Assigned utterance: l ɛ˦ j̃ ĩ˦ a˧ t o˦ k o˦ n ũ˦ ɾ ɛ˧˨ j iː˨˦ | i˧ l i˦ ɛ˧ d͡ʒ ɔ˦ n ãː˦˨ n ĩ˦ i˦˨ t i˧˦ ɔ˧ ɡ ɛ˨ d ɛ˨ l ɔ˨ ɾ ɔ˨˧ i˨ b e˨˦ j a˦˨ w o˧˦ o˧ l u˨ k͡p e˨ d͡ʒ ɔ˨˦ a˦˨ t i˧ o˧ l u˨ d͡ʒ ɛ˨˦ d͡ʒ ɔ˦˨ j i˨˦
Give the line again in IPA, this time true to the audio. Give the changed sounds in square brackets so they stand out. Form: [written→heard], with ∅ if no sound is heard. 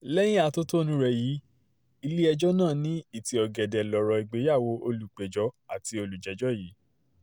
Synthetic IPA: l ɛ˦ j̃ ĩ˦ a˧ t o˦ [k→t] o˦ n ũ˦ ɾ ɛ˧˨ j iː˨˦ | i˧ l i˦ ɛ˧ d͡ʒ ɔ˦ n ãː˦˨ n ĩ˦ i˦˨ t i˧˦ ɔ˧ ɡ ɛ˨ d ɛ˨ l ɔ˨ ɾ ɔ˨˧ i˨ [b→ɡ͡b] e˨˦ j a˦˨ w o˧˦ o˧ l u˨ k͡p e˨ d͡ʒ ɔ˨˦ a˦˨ t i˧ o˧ l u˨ d͡ʒ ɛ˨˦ d͡ʒ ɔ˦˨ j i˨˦

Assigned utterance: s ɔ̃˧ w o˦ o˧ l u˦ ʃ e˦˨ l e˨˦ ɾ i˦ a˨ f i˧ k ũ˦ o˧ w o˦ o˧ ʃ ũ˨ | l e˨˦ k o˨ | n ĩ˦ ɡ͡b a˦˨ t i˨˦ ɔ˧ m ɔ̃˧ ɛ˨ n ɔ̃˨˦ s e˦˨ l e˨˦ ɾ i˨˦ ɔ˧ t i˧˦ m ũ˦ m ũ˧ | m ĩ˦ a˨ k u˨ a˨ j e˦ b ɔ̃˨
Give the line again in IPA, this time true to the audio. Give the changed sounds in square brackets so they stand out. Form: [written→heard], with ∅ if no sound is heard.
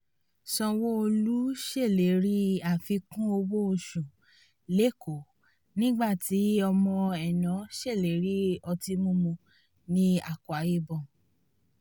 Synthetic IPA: s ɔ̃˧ w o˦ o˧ l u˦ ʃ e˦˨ l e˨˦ ɾ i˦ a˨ f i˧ k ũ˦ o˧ w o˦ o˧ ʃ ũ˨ | l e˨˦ k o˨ | n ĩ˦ ɡ͡b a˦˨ t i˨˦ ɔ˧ m ɔ̃˧ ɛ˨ n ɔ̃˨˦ [s→ʃ] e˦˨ l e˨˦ ɾ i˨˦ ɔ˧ t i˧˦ m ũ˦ m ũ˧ | [m→n] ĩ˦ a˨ k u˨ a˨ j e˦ b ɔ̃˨

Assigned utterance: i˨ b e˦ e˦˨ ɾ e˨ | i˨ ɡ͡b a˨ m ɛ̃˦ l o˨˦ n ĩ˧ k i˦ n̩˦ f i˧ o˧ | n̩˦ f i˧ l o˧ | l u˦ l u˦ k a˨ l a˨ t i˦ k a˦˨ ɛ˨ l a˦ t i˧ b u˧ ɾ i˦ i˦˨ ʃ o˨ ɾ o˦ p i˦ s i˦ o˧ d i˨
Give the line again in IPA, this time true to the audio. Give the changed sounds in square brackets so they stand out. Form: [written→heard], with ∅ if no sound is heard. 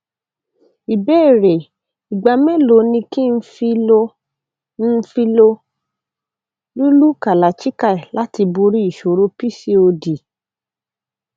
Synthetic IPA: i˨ b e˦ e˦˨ ɾ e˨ | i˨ ɡ͡b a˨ m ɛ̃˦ l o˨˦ n ĩ˧ k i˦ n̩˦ f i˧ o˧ | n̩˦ f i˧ l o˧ | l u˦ l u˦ k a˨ l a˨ [t→t͡ʃ] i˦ k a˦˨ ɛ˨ l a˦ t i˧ b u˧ ɾ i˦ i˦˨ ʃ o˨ ɾ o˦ p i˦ s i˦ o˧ d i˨

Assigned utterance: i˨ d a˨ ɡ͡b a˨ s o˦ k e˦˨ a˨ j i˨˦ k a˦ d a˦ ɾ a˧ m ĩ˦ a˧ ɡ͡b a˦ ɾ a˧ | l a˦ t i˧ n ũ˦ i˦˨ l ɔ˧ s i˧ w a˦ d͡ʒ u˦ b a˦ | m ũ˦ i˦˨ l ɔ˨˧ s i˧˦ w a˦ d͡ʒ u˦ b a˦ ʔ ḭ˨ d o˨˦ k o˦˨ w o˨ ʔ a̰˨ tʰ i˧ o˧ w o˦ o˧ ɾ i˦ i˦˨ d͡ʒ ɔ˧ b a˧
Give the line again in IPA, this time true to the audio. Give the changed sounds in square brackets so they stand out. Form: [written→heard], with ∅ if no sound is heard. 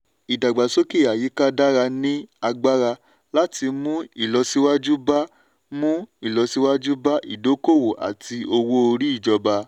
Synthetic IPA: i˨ d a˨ ɡ͡b a˨ s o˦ k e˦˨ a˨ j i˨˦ k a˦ d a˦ ɾ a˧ [m→n] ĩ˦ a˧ ɡ͡b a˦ ɾ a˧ | l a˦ t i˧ [n→m] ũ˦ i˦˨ l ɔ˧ s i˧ w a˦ d͡ʒ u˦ b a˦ | m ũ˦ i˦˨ l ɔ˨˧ s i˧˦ w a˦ d͡ʒ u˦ b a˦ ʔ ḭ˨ d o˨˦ k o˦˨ w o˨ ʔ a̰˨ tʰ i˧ o˧ w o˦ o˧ ɾ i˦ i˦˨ d͡ʒ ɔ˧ b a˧

